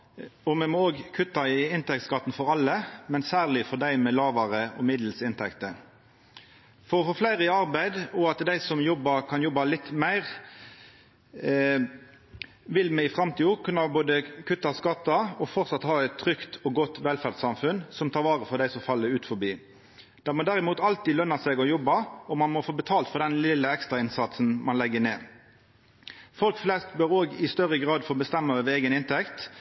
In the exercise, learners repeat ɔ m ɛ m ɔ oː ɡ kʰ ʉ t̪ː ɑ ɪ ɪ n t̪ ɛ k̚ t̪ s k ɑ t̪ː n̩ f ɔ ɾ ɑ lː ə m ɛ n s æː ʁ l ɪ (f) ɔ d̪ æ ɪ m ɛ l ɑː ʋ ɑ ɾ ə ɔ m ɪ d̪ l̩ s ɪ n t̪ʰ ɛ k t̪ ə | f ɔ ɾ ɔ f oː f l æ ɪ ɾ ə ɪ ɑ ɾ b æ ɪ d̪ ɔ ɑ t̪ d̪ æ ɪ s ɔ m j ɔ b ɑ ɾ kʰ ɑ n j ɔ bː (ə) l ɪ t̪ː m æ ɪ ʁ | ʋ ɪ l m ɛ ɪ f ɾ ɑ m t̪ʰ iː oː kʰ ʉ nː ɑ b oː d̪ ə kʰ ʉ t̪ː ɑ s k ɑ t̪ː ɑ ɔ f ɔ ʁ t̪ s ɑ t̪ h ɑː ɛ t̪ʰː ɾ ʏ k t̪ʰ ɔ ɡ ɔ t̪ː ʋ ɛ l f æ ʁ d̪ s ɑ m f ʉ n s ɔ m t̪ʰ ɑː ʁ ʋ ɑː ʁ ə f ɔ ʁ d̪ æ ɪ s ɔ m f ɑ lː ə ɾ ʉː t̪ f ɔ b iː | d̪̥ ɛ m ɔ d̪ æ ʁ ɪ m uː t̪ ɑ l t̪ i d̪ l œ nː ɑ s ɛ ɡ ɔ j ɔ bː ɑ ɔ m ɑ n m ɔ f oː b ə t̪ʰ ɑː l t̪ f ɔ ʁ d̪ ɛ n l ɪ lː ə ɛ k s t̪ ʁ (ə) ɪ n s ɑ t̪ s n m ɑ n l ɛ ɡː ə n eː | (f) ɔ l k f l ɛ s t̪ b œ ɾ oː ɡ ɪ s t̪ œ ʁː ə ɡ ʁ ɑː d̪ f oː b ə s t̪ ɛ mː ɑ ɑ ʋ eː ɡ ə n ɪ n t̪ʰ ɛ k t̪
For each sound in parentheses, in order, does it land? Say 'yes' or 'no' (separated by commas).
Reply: yes, no, no, yes